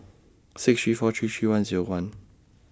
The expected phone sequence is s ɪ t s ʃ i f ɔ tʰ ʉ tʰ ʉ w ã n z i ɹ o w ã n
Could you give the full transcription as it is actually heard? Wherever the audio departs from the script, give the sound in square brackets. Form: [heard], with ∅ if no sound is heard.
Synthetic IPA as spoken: s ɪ [k] s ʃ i f ɔ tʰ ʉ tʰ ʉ w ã n z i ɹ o w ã n